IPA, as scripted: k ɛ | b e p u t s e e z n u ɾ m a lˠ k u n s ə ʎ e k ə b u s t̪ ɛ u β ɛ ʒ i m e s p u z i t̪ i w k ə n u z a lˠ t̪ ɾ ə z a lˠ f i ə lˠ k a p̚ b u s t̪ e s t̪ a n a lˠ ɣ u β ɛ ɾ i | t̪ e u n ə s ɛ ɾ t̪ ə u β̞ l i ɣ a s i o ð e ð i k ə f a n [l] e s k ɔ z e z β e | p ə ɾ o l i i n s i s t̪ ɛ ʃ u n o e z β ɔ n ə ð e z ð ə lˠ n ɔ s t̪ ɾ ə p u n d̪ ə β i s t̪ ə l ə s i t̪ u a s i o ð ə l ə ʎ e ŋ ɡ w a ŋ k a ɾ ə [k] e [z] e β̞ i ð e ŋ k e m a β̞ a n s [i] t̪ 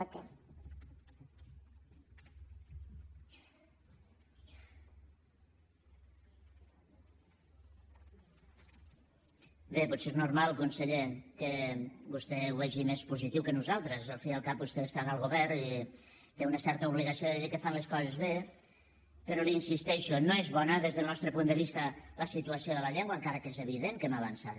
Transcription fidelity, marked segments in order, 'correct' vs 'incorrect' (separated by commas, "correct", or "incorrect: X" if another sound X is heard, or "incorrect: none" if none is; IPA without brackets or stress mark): correct, correct, correct, incorrect: a